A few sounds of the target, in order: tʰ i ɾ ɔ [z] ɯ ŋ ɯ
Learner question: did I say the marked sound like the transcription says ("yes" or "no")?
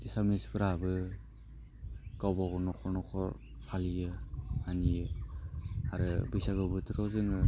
yes